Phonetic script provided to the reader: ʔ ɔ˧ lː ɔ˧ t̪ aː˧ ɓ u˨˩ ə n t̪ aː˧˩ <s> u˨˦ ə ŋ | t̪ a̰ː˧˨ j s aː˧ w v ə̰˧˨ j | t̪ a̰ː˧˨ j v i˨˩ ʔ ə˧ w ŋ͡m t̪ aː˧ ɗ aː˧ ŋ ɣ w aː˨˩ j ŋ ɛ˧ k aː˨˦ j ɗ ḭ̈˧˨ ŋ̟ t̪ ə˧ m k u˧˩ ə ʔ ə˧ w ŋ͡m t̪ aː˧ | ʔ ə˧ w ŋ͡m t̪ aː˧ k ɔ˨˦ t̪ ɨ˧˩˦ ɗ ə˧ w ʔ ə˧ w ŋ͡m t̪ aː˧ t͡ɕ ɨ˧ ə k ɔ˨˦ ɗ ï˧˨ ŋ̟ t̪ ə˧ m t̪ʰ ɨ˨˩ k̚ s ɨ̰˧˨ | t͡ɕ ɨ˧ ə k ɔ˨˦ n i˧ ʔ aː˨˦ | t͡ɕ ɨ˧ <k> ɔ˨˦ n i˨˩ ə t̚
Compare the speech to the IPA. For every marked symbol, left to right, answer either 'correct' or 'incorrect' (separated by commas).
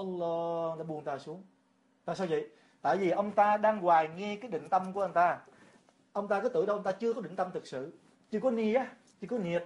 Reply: correct, correct